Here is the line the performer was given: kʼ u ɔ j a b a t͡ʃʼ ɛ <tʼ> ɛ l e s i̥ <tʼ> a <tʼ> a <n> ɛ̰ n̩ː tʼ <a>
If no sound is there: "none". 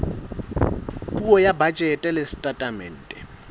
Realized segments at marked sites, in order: tʼ, tʼ, tʼ, m, ɛ

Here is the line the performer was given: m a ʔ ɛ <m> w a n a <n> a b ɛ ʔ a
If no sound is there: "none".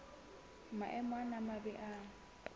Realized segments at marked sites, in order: m, m

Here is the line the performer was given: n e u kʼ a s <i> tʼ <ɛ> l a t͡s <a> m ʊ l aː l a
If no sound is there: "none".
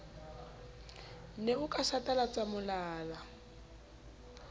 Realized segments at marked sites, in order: a, a, a

